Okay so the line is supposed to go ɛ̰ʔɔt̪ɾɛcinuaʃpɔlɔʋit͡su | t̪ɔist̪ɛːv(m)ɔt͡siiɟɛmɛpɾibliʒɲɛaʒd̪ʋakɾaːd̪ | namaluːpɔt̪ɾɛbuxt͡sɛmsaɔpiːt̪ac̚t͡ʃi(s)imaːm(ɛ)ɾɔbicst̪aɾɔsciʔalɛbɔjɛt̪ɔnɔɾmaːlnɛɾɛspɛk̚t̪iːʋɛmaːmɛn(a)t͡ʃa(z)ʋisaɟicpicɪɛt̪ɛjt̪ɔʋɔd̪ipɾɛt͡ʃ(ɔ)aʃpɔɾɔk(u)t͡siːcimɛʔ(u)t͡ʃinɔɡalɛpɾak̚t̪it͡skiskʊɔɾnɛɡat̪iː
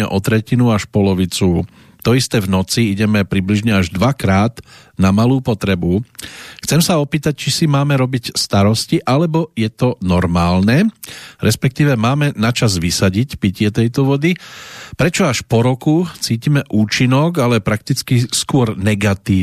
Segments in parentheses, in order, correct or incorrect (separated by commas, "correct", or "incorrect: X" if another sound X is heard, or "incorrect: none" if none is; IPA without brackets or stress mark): incorrect: n, correct, correct, correct, correct, correct, correct, incorrect: uː